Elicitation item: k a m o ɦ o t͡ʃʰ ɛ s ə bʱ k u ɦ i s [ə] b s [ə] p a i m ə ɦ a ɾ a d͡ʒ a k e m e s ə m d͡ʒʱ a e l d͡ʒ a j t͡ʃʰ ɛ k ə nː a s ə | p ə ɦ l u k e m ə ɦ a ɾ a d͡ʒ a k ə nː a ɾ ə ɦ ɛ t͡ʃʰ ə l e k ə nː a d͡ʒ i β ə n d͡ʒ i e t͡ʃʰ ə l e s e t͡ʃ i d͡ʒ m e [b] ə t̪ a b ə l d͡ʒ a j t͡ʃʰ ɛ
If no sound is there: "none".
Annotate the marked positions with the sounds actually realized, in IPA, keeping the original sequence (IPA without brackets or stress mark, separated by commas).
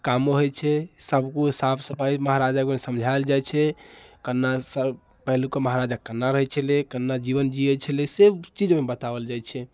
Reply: a, ə, b